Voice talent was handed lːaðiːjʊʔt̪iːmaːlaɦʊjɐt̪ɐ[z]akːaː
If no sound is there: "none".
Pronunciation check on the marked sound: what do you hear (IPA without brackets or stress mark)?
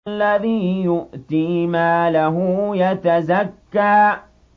z